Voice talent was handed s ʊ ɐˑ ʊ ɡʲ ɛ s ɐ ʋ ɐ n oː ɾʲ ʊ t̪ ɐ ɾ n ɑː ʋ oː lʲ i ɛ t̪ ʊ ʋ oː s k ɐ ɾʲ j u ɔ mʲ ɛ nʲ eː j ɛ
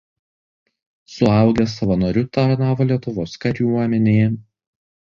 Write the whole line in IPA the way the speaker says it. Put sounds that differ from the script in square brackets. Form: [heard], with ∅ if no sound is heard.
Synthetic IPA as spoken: s ʊ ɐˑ ʊ ɡʲ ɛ s ɐ ʋ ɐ n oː ɾʲ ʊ t̪ ɐ ɾ n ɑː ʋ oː lʲ i ɛ t̪ ʊ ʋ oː s k ɐ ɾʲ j u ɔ mʲ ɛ nʲ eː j ɛ